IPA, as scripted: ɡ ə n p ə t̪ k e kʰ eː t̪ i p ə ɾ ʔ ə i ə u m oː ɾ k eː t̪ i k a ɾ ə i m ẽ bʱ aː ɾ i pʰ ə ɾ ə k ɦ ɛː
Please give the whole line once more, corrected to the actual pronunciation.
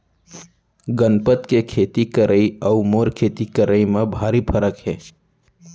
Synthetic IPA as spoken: ɡ ə n p ə t̪ k e kʰ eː t̪ i k ə ɾ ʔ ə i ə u m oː ɾ kʰ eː t̪ i k ə ɾ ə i m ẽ bʱ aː ɾ i pʰ ə ɾ ə k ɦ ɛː